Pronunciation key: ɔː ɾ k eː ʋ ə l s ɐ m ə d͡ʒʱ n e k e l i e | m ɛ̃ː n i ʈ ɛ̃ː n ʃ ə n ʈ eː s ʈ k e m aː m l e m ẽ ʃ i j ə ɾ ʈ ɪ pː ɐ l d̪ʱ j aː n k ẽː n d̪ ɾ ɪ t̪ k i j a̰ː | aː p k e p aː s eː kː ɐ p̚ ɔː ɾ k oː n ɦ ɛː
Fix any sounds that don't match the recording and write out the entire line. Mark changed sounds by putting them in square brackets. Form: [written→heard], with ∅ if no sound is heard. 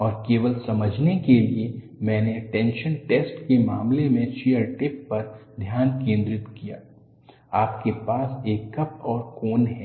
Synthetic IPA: ɔː ɾ k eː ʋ ə l s ɐ m ə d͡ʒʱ n e k e l i e | m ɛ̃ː n [i→e] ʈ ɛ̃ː n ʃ ə n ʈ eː s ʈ k e m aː m l e m ẽ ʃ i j ə ɾ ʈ ɪ pː ɐ [l→ɾ] d̪ʱ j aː n k ẽː n d̪ ɾ ɪ t̪ k i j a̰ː | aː p k e p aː s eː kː ɐ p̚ ɔː ɾ k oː n ɦ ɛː

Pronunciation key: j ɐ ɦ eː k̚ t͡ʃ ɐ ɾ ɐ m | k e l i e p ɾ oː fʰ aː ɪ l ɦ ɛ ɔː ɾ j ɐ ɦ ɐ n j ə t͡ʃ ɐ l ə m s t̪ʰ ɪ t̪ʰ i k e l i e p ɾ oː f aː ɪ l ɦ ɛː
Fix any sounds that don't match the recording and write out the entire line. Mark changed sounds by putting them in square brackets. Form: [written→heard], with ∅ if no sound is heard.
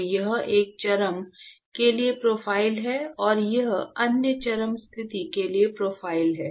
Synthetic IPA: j ɐ ɦ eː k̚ t͡ʃ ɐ ɾ [ɐ→ə] m | k e l i e p ɾ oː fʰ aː ɪ l ɦ ɛ ɔː ɾ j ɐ ɦ ɐ n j ə t͡ʃ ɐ [l→ɾ] ə m s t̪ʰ ɪ [t̪ʰ→t̪] i k e l i e p ɾ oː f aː ɪ l ɦ ɛː

